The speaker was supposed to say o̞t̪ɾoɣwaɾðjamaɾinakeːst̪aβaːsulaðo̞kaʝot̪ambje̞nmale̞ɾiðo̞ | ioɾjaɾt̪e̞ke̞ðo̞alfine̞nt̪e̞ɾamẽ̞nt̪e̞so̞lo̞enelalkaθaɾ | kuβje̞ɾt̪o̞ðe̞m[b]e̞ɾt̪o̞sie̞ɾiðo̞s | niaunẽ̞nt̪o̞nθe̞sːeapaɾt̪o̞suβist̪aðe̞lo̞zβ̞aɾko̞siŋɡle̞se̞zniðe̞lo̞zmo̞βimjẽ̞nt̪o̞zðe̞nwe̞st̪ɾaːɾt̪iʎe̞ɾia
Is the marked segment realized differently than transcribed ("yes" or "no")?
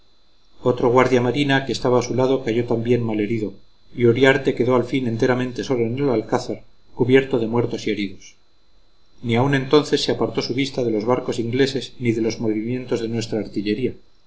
yes